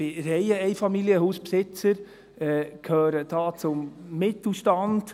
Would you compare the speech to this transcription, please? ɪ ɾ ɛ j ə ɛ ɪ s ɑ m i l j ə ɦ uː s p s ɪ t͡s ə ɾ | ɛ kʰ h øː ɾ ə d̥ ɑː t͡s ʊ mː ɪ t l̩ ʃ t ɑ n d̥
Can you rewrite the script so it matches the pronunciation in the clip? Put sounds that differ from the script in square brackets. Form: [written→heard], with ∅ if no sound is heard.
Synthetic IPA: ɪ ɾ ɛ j ə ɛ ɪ [s→f] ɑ m i l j ə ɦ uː s p s ɪ t͡s ə ɾ | ɛ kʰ h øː ɾ ə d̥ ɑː t͡s ʊ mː ɪ t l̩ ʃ t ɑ n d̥